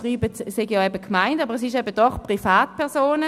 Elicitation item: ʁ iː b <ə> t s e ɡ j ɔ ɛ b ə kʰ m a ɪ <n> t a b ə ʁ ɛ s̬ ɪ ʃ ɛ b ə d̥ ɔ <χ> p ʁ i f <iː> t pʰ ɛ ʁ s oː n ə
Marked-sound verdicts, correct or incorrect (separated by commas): correct, correct, correct, incorrect